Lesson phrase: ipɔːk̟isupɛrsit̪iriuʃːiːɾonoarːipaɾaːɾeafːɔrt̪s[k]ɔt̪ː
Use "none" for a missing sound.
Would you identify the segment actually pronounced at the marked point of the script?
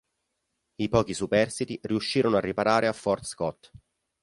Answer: k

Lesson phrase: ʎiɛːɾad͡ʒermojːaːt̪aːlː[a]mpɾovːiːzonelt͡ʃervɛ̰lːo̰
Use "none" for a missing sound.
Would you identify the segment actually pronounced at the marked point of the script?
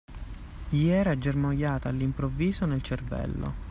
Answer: i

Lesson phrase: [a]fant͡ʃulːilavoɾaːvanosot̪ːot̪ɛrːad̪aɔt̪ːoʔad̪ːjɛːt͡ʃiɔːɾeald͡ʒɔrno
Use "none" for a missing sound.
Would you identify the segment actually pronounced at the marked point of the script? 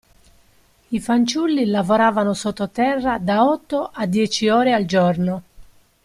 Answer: i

